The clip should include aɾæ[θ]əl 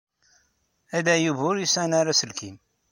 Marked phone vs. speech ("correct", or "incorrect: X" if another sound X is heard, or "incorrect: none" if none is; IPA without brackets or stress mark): incorrect: s